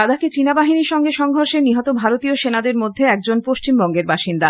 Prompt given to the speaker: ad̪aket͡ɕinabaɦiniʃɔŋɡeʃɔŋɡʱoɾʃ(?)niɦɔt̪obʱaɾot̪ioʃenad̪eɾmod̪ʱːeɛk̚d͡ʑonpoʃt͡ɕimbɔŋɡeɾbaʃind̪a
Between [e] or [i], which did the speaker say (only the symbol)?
e